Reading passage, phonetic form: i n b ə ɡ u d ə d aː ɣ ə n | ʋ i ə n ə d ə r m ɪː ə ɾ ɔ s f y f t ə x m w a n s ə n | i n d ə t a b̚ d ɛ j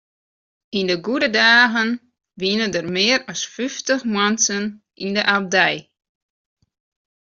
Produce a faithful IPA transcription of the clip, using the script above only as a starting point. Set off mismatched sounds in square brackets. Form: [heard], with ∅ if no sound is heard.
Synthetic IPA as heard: i n [d] ə ɡ u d ə d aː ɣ ə n | ʋ i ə n ə d ə r m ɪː ə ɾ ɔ s f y f t ə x m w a n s ə n | i n d ə [ʔ] a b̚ d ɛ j

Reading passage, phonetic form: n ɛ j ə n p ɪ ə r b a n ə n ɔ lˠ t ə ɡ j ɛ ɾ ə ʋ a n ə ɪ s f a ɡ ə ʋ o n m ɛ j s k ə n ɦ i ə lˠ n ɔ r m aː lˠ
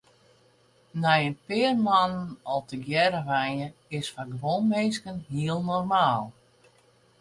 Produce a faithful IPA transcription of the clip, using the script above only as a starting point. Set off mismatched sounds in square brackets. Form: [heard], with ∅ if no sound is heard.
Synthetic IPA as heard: n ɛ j ə n p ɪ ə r [m] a n ə n ɔ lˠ t ə ɡ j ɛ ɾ ə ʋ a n ə ɪ s f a ɡ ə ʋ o n m [e] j s k ə n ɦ i ə lˠ n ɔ r m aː lˠ

